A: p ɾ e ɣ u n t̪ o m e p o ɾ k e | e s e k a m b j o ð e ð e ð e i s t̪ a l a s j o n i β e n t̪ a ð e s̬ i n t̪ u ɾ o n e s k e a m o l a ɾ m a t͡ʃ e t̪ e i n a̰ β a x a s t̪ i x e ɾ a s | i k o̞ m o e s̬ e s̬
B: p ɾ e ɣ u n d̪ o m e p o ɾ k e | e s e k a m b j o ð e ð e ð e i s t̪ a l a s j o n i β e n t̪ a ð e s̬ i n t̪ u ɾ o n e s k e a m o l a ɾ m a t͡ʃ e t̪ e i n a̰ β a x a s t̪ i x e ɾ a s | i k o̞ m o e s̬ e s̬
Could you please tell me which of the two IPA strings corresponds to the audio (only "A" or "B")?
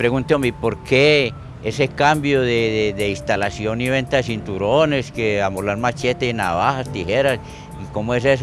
A